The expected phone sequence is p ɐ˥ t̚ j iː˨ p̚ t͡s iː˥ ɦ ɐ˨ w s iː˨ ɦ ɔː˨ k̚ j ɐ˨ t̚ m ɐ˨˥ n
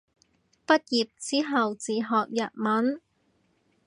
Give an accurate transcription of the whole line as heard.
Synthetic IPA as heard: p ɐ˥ t̚ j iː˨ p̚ t͡s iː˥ ɦ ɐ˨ w t͡s iː˨ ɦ ɔː˨ k̚ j ɐ˨ t̚ m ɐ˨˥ n